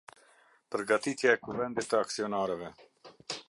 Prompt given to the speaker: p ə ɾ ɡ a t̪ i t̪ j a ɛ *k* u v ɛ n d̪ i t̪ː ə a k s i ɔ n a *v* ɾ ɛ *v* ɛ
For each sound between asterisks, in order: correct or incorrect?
correct, incorrect, correct

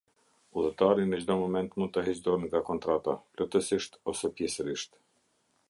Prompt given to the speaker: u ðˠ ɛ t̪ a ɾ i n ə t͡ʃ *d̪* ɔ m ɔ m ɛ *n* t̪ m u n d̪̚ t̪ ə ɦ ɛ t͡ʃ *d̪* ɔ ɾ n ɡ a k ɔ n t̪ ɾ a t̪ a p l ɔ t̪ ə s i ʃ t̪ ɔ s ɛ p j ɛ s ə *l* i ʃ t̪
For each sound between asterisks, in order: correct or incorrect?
correct, correct, correct, incorrect

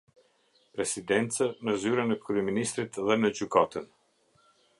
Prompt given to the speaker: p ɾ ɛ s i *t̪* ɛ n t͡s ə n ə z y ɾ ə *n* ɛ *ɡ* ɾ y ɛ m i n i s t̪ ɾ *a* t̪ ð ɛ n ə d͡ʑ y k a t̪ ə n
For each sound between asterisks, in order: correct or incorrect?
incorrect, correct, incorrect, incorrect

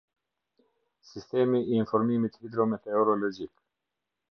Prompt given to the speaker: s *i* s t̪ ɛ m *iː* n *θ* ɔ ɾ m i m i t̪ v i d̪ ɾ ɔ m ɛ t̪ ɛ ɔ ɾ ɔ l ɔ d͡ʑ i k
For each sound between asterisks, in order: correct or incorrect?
correct, correct, incorrect

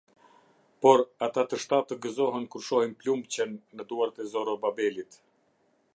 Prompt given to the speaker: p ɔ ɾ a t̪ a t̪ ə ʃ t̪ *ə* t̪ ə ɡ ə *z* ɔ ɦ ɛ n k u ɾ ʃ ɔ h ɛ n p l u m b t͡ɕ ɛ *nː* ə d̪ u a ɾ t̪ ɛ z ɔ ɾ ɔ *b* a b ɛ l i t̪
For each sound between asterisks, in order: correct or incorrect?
incorrect, correct, correct, correct

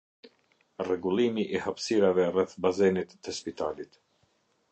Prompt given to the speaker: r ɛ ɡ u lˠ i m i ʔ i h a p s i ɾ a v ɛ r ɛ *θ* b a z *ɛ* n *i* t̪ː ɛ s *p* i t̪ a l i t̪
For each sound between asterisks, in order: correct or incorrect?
correct, correct, correct, correct

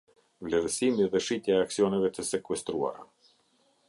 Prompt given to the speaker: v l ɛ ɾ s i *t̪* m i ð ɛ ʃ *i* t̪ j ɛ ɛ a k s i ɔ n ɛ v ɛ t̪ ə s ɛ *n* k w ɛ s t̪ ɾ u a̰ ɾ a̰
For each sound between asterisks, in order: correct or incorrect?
incorrect, correct, incorrect

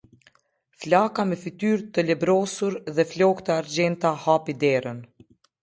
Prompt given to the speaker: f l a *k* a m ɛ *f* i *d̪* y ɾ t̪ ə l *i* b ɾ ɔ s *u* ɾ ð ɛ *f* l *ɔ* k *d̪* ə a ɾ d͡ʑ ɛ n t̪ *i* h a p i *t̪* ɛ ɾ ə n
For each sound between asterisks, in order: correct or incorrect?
correct, correct, incorrect, incorrect, correct, correct, correct, incorrect, incorrect, incorrect

